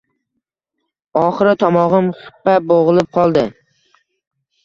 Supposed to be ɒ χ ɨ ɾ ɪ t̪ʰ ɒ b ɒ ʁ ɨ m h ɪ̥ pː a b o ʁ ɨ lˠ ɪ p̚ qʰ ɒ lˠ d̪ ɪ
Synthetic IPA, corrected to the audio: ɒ χ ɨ ɾ ɪ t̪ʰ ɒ m ɒ ʁ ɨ m χ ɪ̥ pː a b o ʁ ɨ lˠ ɪ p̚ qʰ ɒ lˠ d̪ ɪ